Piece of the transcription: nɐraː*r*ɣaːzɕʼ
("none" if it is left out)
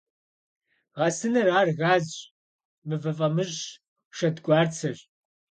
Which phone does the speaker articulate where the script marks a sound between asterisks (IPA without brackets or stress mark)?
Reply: r